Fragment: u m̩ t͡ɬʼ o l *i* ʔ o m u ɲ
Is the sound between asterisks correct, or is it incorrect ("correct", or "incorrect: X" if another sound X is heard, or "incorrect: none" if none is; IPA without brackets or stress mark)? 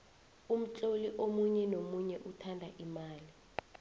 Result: correct